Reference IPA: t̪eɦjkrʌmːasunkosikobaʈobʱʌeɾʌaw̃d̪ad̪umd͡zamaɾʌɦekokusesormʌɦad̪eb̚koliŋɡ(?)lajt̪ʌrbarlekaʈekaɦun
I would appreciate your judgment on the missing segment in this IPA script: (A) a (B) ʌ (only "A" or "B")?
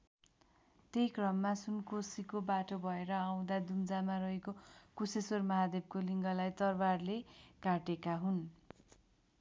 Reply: B